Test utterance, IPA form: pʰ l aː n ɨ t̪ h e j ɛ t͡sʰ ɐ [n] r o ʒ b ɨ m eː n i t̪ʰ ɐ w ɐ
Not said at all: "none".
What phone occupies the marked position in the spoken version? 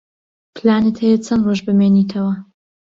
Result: n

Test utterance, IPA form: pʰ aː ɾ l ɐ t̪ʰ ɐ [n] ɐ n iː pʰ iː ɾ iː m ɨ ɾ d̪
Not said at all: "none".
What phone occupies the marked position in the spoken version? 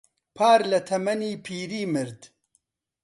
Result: m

